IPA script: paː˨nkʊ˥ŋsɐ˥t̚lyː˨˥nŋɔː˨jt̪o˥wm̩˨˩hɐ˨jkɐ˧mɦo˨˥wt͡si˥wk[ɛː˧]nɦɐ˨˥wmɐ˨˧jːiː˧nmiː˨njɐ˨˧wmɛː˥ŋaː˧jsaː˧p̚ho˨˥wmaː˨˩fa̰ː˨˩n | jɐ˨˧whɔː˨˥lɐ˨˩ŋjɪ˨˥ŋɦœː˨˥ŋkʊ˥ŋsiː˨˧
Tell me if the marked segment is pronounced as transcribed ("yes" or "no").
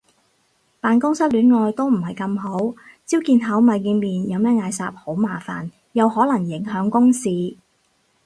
no